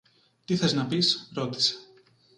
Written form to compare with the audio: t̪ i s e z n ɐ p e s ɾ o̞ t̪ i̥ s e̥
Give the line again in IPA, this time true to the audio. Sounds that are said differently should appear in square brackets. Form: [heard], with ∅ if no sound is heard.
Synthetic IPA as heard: t̪ i [θ] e z n ɐ p [i] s ɾ o̞ t̪ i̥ s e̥